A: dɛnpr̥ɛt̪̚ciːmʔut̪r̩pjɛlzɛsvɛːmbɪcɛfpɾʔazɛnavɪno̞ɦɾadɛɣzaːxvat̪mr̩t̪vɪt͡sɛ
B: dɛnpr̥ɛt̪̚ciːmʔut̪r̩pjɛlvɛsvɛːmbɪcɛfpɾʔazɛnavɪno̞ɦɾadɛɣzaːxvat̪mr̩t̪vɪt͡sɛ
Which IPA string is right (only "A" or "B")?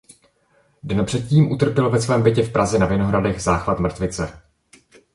B